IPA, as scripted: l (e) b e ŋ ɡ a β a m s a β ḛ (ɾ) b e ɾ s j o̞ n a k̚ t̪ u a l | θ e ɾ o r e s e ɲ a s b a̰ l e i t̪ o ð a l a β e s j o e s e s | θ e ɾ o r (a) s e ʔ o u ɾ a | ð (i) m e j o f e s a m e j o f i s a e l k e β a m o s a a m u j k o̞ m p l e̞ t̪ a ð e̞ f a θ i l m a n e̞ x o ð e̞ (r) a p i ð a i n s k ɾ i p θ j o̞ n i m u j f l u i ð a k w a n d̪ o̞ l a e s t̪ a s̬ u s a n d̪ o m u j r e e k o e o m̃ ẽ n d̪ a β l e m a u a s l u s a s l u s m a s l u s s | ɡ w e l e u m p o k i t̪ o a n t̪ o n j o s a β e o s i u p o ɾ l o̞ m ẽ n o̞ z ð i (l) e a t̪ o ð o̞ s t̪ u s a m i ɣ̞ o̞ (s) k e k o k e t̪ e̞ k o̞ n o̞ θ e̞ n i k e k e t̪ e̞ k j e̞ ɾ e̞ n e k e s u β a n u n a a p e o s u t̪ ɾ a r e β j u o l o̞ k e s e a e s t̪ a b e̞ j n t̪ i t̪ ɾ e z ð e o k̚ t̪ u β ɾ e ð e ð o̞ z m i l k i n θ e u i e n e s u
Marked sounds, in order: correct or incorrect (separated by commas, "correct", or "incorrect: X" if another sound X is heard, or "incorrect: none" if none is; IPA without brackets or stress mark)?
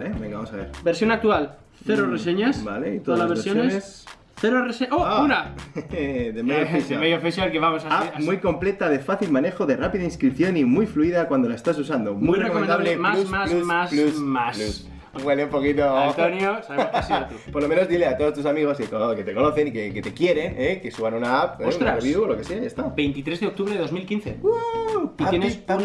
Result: correct, correct, incorrect: e, incorrect: e, correct, correct, correct